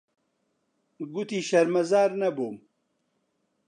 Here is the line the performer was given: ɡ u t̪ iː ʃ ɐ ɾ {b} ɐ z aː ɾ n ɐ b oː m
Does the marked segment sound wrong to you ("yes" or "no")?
yes